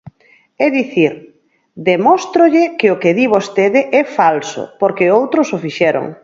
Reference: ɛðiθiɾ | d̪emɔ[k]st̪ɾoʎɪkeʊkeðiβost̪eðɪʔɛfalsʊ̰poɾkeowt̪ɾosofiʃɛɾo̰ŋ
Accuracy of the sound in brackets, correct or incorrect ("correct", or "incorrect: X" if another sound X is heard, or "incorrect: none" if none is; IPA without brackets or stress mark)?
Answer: incorrect: none